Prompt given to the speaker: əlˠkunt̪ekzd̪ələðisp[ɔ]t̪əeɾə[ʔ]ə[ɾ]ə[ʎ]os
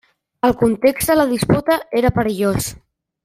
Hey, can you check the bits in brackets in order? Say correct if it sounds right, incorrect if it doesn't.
incorrect, incorrect, correct, correct

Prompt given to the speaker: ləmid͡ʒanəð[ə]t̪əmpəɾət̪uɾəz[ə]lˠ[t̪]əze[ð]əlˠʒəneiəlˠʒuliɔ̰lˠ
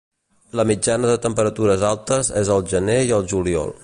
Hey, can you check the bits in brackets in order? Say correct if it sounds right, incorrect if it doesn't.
correct, incorrect, correct, incorrect

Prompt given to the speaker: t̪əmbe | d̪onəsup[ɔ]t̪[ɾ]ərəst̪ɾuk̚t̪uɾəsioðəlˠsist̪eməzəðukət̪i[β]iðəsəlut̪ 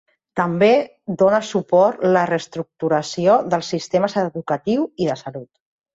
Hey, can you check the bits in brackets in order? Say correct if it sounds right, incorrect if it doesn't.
correct, incorrect, incorrect

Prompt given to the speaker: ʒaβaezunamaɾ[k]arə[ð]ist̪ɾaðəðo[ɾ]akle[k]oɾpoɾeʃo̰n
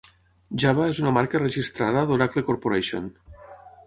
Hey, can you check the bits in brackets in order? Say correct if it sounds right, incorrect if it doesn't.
correct, incorrect, correct, correct

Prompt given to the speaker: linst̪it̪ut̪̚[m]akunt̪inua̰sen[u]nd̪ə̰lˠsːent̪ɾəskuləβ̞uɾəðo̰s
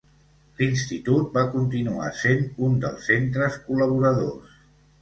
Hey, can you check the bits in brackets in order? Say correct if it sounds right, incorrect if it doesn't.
incorrect, correct

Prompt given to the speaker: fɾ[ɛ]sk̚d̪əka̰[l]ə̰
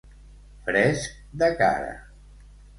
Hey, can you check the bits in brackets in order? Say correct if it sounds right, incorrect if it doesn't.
correct, incorrect

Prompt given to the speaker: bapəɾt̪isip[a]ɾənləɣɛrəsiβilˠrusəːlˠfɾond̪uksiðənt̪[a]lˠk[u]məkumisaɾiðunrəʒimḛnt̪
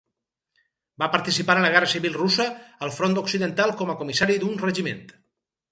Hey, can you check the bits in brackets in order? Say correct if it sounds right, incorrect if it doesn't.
correct, correct, incorrect

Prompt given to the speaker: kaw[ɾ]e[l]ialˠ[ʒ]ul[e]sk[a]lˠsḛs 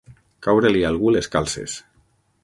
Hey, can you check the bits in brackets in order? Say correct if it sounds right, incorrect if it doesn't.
correct, correct, incorrect, correct, correct

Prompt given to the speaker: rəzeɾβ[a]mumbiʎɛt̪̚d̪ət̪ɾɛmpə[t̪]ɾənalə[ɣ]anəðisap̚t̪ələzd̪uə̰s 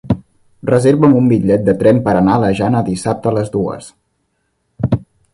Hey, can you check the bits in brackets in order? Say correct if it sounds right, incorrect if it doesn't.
incorrect, incorrect, incorrect

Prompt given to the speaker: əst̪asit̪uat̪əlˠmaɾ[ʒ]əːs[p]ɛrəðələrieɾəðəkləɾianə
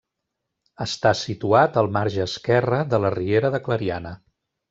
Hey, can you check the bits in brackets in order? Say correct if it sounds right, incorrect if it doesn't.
correct, incorrect

